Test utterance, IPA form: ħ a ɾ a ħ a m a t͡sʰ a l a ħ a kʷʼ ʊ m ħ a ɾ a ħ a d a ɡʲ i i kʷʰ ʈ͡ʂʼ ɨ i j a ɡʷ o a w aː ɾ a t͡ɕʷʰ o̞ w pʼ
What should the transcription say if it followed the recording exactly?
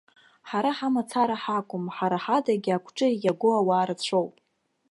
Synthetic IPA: ħ a ɾ a ħ a m a t͡sʰ a ɾ a ħ a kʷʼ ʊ m ħ a ɾ a ħ a d a ɡʲ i a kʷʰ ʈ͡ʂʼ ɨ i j a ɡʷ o a w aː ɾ a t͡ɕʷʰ o̞ w pʼ